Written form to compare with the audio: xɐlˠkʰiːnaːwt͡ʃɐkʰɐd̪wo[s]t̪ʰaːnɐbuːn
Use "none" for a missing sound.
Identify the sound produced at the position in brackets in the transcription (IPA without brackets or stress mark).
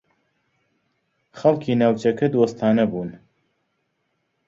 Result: s